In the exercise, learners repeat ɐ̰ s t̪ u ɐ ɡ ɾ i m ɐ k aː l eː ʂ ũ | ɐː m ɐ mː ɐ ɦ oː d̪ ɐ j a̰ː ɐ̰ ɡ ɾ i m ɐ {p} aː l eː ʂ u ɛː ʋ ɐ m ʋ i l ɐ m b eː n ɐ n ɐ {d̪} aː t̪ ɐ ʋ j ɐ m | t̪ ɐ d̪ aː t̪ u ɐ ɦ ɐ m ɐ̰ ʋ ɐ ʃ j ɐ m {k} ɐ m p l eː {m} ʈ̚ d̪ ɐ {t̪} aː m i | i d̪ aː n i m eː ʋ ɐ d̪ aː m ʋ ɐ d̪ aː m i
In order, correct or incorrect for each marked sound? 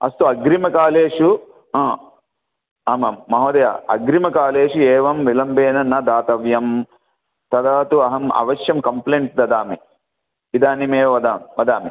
incorrect: k, correct, correct, incorrect: ɳ, incorrect: d̪

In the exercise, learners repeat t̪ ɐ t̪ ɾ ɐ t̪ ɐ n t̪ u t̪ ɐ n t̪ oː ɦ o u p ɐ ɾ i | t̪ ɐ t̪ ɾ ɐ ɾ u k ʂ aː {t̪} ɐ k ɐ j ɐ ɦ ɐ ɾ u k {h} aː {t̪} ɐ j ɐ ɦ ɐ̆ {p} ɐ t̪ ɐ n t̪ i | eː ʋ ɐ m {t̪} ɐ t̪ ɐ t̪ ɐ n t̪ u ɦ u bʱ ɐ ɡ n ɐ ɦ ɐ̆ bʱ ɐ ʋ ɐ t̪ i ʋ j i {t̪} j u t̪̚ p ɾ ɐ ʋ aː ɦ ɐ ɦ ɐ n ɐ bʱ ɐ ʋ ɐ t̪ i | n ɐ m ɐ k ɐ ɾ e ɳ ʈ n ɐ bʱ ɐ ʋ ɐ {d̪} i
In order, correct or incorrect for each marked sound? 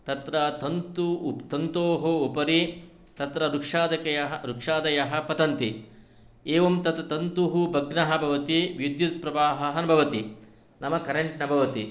incorrect: d̪, incorrect: ʂ, incorrect: d̪, correct, correct, incorrect: d̪, incorrect: t̪

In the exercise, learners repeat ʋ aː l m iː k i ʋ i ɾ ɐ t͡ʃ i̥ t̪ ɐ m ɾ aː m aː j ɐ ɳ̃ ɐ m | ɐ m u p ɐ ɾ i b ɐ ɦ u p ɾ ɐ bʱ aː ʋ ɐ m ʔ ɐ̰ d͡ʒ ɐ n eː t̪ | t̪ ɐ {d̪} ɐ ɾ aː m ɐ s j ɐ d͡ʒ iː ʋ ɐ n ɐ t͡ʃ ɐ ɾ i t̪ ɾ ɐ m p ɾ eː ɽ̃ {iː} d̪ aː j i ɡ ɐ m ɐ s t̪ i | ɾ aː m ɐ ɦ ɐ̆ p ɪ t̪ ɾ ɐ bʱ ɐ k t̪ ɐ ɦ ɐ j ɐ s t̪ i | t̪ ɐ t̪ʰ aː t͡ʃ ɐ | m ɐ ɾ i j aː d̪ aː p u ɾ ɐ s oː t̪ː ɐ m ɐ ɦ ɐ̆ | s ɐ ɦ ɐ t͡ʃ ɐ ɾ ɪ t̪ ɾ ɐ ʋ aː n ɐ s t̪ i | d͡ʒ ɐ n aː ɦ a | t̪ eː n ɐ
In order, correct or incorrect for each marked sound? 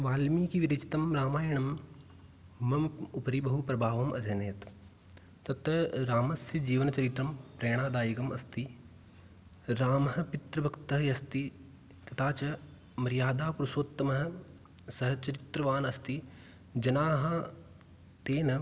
incorrect: t̪, incorrect: aː

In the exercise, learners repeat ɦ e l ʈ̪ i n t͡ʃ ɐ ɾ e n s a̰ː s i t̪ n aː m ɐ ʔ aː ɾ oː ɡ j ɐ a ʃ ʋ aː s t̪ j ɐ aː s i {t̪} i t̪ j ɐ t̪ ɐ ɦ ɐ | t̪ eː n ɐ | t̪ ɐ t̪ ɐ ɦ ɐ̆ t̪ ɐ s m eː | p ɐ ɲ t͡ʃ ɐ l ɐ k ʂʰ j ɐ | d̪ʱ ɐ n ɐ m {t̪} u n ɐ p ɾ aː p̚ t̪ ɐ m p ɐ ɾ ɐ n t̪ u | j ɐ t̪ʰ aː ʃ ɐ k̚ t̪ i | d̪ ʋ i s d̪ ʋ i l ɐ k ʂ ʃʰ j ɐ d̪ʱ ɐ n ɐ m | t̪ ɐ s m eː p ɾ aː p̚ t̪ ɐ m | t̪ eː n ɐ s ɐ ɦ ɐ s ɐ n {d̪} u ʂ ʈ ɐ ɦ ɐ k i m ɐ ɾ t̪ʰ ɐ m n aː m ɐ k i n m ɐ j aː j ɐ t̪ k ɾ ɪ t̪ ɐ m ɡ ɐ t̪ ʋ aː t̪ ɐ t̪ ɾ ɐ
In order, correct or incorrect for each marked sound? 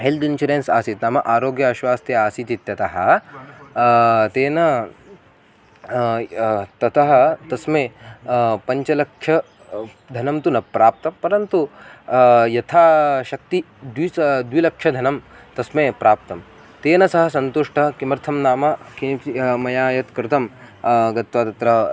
correct, correct, incorrect: t̪

